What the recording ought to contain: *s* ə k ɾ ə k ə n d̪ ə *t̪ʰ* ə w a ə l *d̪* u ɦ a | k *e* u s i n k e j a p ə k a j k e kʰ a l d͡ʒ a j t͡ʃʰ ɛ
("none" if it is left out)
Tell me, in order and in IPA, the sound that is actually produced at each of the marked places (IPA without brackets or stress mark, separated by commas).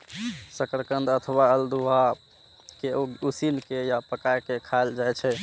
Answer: s, t̪ʰ, d̪, e